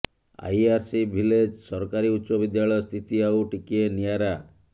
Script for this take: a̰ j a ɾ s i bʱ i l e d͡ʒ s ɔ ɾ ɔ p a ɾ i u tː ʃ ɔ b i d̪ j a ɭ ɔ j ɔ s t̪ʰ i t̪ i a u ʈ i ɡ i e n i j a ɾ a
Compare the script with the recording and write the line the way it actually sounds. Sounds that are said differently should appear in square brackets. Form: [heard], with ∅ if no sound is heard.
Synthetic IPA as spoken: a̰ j a ɾ s i bʱ i l e d͡ʒ s ɔ ɾ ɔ [k] a ɾ i u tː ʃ ɔ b i d̪ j a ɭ ɔ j ɔ s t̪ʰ i t̪ i a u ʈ i [k] i e n i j a ɾ a